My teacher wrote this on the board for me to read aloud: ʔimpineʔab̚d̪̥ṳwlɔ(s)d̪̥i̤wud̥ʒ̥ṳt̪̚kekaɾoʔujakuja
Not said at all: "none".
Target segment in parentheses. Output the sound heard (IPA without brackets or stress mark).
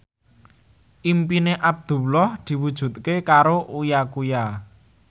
h